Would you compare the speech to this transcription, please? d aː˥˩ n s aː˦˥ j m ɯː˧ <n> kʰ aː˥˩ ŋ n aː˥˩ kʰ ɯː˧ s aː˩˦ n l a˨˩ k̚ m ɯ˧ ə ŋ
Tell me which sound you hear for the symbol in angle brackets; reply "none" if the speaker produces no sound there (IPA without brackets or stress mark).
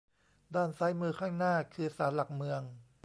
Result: none